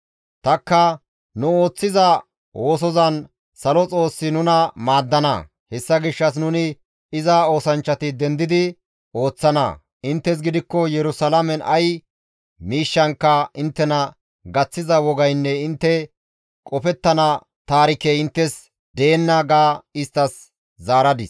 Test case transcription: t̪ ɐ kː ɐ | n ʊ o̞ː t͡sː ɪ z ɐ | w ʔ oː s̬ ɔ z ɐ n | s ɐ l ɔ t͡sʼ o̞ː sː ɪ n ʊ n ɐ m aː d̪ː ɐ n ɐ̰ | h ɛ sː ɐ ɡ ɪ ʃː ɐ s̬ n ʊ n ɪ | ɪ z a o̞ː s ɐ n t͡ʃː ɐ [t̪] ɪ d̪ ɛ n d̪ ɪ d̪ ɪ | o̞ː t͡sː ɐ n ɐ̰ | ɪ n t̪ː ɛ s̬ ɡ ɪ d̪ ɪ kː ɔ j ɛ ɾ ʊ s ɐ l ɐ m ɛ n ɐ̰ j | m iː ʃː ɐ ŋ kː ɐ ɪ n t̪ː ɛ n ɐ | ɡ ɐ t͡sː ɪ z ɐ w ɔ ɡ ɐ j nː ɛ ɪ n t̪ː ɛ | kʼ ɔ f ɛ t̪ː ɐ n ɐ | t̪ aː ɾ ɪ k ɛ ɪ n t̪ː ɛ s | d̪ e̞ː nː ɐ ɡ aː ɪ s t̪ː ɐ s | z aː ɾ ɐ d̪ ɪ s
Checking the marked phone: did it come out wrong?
no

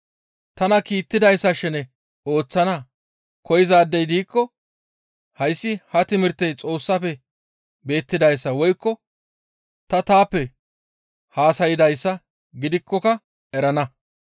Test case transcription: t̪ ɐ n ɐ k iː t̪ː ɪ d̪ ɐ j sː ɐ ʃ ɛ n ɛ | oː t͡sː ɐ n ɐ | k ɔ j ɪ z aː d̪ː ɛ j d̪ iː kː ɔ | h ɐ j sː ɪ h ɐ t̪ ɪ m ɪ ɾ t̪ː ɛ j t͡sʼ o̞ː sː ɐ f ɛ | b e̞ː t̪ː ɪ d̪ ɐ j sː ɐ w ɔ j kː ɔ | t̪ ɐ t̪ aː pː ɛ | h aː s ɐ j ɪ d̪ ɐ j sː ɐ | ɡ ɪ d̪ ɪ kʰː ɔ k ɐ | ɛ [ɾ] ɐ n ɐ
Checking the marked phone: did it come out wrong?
no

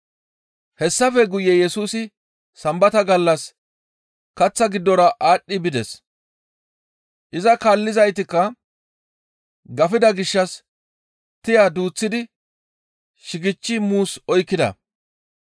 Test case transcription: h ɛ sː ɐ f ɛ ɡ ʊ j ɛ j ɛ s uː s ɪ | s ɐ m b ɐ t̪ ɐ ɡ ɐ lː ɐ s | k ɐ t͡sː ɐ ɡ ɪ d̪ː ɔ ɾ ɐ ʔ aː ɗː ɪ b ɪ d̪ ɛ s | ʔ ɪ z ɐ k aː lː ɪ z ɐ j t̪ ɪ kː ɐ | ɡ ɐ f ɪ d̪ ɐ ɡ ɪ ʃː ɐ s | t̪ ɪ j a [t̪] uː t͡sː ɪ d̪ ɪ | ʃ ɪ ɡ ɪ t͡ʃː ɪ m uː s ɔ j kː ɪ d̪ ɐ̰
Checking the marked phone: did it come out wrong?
yes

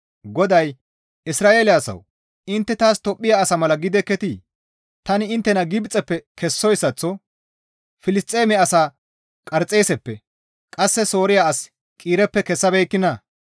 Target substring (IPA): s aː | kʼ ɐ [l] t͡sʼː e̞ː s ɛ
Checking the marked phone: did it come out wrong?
yes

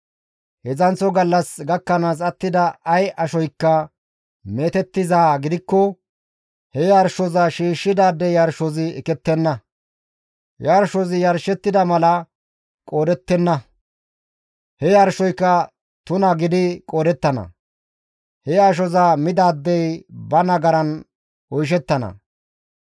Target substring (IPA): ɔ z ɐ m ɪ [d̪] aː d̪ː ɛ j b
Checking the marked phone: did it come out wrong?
no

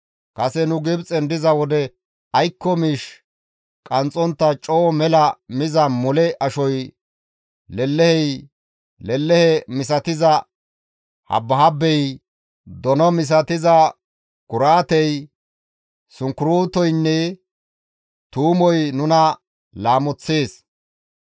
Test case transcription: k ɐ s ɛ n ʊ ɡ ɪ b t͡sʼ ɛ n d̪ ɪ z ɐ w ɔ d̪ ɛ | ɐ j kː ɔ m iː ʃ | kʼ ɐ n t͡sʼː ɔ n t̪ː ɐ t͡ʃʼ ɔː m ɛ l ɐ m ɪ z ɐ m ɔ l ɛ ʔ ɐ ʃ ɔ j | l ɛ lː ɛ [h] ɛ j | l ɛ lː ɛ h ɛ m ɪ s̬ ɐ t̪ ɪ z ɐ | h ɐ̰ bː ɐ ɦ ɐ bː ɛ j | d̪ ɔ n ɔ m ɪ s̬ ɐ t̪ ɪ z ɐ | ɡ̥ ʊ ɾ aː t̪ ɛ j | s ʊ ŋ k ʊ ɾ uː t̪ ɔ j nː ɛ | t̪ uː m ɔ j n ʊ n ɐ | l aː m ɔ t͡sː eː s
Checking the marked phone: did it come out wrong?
no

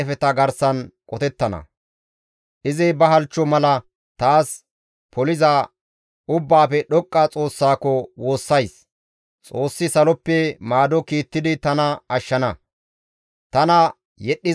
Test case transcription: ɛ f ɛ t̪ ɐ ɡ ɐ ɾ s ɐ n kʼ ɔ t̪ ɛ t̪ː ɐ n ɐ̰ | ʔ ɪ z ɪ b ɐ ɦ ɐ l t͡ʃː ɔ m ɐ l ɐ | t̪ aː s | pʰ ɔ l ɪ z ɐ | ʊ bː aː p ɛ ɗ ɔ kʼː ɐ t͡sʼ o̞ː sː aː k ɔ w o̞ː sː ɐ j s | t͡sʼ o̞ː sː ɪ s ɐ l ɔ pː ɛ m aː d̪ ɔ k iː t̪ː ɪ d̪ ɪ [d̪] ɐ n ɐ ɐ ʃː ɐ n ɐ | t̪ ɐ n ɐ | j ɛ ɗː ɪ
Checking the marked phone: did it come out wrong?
yes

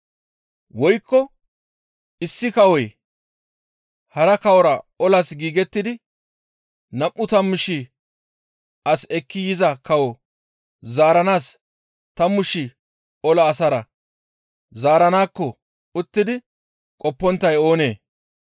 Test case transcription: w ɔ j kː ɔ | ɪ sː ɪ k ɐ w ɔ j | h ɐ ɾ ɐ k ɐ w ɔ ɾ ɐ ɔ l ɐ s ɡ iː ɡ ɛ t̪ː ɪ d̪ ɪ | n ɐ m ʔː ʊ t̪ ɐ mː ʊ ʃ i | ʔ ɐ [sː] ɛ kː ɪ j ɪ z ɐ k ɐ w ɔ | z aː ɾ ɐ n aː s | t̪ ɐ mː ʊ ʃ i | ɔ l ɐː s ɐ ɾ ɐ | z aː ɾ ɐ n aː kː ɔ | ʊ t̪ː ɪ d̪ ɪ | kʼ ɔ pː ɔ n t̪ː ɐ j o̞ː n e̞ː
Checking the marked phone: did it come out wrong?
yes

